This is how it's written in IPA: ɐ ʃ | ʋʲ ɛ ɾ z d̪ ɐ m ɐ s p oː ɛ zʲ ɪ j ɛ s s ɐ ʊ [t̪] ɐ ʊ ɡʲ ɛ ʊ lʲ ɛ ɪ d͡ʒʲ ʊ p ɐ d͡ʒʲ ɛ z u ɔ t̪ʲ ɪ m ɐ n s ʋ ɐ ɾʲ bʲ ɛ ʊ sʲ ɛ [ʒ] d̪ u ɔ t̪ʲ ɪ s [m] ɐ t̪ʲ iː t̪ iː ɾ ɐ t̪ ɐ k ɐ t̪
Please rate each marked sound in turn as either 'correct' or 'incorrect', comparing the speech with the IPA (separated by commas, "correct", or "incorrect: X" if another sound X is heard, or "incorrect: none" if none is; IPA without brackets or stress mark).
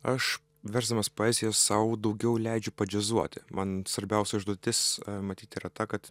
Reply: incorrect: d̪, correct, correct